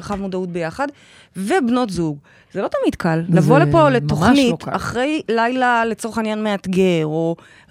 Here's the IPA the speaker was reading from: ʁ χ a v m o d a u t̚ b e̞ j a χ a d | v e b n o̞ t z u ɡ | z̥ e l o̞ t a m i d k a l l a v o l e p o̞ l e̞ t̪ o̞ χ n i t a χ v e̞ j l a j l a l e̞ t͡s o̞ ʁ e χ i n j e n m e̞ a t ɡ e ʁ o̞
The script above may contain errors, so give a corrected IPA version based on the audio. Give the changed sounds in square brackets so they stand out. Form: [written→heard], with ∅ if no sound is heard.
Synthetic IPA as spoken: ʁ χ a v m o d a u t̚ b e̞ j a χ a d | v e b n o̞ t z u ɡ | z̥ e l o̞ t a m i d k a l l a v o l e p o̞ l e̞ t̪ o̞ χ n i t a χ [v→ʁ] e̞ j l a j l a l e̞ t͡s o̞ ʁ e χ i n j [e→a] n m e̞ a t ɡ e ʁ o̞